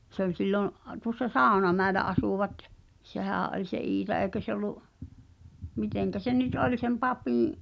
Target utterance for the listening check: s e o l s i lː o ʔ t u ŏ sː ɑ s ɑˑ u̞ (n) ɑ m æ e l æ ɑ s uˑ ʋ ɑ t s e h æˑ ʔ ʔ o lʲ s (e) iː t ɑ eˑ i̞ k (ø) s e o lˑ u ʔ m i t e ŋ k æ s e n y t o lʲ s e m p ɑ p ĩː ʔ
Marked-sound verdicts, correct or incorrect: correct, correct, correct

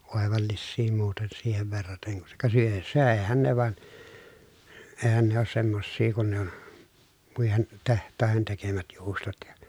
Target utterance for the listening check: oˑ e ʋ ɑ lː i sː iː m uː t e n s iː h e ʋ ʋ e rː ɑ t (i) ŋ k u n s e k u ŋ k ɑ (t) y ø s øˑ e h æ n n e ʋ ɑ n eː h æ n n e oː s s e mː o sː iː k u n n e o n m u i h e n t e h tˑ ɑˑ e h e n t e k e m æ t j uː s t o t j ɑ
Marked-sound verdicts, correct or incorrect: incorrect: e, incorrect: s

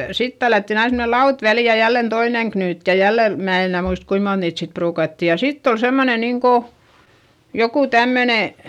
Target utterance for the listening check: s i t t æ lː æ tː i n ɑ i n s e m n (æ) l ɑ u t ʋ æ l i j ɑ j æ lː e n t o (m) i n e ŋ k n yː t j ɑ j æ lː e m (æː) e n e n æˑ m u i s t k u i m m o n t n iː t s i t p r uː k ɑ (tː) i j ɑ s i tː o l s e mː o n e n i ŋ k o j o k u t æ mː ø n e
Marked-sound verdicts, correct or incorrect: incorrect: e, incorrect: none, correct, correct

